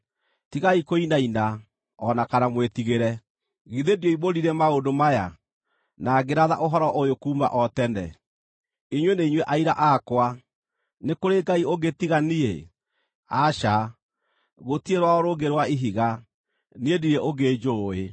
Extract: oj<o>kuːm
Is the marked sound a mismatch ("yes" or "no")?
no